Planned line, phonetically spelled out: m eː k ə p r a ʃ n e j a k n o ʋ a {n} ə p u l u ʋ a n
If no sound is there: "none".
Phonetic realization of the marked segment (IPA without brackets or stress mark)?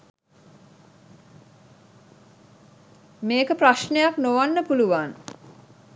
nː